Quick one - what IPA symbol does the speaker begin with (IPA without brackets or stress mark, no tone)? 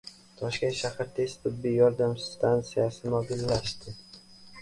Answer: t̪ʰ